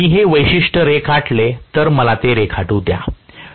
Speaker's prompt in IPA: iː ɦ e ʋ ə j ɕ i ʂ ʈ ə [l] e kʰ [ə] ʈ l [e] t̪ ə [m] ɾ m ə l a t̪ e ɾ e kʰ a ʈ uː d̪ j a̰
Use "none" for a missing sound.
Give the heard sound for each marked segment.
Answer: ɾ, a, e, none

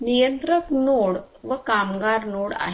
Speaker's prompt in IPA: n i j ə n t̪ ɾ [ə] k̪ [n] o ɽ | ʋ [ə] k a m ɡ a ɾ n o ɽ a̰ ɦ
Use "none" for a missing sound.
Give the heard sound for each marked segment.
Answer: ə, n, ə

